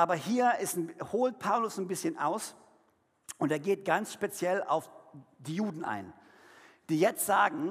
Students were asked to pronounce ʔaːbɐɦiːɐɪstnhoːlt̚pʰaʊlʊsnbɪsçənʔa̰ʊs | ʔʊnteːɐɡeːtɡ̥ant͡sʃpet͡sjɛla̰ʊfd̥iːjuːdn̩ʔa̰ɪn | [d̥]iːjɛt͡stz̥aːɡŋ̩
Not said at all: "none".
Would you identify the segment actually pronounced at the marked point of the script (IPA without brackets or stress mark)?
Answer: d̥